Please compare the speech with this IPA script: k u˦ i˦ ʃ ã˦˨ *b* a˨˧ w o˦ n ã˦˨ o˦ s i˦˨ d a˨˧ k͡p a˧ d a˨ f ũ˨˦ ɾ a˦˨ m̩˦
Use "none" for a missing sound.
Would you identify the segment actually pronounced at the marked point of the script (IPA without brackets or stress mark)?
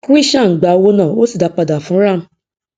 ɡ͡b